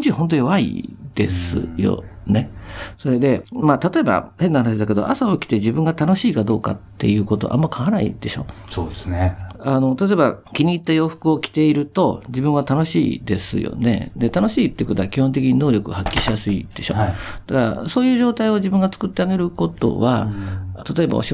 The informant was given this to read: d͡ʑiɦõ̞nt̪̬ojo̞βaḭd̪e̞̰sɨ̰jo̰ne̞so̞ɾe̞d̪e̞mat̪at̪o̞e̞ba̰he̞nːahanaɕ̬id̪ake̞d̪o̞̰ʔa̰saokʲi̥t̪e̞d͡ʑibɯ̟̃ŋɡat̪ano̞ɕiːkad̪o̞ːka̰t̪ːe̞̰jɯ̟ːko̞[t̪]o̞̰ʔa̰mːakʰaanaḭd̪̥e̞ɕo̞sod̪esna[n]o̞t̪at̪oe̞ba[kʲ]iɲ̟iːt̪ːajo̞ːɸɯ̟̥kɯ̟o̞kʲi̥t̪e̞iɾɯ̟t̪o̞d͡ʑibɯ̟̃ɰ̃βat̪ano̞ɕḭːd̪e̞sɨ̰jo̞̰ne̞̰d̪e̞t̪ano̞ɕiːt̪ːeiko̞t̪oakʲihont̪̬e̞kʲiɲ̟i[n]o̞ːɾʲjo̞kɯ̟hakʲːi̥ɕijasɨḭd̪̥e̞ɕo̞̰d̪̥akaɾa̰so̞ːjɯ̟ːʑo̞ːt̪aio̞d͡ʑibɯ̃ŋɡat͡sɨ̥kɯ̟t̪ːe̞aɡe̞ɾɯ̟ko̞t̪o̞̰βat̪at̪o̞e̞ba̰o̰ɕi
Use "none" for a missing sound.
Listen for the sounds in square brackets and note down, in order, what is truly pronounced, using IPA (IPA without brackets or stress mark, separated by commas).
t̪, n, kʲ, n